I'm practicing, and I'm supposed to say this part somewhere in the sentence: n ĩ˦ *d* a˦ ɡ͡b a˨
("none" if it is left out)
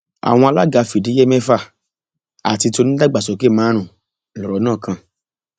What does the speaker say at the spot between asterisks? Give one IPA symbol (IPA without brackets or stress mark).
d